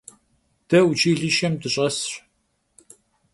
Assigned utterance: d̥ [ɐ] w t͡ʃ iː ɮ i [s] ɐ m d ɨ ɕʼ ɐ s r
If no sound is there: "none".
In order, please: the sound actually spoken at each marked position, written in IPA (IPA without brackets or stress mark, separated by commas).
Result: ɐ, ʃ